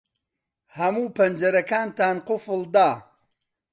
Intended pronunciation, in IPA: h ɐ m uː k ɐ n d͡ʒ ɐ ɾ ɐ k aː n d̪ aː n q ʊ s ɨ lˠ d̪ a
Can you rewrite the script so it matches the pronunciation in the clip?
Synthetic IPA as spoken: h ɐ m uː p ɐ n d͡ʒ ɐ ɾ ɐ k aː n t̪ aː n q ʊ f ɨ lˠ d̪ a